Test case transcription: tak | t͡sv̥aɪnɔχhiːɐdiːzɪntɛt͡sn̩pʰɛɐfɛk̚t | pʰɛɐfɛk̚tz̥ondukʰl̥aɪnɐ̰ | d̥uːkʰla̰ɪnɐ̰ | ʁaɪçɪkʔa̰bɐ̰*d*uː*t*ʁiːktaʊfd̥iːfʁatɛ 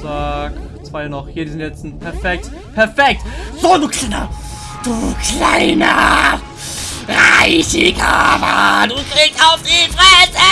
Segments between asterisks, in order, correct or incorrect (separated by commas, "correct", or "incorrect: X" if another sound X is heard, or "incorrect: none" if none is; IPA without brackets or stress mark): correct, incorrect: k